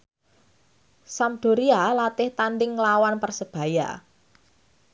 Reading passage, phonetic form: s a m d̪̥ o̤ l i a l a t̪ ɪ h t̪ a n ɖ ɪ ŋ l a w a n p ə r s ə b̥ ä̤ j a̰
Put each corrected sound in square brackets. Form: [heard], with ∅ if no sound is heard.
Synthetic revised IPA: s a m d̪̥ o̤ [ɾ] i a l a t̪ ɪ h t̪ a n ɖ ɪ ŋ l a w a n p ə r s ə b̥ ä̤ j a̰